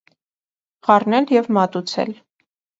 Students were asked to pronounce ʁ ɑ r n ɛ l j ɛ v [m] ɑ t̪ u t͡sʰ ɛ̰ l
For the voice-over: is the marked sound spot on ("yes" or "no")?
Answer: yes